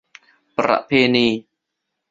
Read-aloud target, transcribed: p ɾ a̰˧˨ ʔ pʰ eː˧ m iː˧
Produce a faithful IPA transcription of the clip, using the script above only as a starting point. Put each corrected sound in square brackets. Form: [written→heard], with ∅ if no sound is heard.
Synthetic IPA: p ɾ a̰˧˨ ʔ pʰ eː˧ [m→n] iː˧

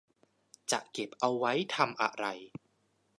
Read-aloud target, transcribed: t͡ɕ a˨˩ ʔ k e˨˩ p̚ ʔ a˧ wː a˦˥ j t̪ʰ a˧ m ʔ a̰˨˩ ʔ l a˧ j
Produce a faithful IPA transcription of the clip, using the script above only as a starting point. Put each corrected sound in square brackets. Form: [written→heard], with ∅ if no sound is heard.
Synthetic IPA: t͡ɕ a˨˩ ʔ k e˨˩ p̚ ʔ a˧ wː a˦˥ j t̪ʰ a˧ m ʔ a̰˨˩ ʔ [l→ɾ] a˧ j

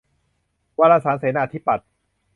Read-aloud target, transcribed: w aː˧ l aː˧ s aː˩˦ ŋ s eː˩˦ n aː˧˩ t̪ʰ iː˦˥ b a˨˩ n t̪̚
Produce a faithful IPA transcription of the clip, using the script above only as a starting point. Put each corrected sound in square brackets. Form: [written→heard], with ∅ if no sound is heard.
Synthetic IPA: w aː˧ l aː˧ s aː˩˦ [ŋ→n] s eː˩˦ n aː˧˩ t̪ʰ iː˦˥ [b→p] a˨˩ [n→∅] t̪̚

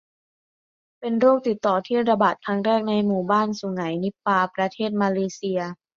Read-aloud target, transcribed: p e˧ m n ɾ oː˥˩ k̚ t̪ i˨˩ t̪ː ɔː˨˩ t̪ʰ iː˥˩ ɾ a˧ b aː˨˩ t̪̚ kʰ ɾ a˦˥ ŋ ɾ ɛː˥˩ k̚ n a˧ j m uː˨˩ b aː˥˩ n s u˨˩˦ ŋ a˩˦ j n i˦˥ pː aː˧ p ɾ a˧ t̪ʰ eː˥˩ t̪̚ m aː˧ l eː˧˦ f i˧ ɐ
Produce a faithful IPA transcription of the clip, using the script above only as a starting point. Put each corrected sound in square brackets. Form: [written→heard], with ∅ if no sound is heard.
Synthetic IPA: p e˧ [m→∅] n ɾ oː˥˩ k̚ t̪ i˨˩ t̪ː ɔː˨˩ t̪ʰ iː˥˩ ɾ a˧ b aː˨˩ t̪̚ kʰ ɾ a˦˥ ŋ ɾ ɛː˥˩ k̚ n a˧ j m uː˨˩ b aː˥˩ n s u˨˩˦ ŋ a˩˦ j n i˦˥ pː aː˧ p ɾ a˧ t̪ʰ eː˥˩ t̪̚ m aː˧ l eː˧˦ [f→s] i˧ ɐ

